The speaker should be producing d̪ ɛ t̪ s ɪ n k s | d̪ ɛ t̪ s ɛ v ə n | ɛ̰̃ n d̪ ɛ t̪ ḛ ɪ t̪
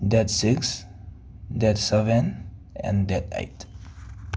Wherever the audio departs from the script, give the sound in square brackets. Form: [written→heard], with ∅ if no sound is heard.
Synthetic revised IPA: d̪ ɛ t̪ s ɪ [n→∅] k s | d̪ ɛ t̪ s ɛ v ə n | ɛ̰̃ n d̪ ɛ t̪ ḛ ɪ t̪